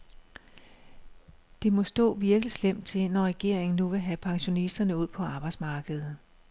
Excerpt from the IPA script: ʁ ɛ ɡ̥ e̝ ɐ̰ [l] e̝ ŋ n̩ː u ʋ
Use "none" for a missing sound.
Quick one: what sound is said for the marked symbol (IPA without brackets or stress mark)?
none